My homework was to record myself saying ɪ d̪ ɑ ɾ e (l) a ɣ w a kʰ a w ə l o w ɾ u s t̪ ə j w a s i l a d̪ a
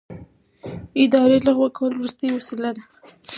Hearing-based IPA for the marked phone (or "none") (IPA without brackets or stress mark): l